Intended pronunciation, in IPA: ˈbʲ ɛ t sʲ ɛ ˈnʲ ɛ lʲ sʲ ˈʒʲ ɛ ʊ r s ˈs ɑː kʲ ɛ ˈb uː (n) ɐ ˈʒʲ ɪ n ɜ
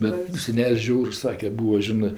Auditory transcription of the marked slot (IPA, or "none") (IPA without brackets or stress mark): none